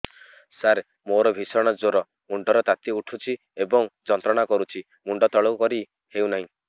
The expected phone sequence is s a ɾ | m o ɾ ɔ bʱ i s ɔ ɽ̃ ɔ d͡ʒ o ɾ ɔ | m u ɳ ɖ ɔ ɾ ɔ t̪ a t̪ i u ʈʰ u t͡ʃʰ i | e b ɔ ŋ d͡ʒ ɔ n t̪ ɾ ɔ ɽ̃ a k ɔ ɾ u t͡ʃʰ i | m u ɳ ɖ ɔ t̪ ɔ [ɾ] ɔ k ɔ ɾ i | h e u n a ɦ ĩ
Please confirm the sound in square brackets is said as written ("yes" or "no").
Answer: no